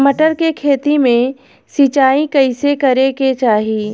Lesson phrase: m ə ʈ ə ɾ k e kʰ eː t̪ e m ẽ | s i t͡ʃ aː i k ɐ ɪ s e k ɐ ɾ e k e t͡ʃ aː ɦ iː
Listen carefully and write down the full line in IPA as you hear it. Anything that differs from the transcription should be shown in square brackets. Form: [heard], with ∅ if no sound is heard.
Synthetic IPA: m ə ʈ ə ɾ k e kʰ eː t̪ [i] m ẽ | s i t͡ʃ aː i k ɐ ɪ s e k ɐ ɾ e k e t͡ʃ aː ɦ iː